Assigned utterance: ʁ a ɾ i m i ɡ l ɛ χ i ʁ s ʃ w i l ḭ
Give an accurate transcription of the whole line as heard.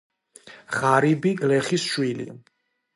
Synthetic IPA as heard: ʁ a ɾ i b i ɡ l ɛ χ i s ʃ w i l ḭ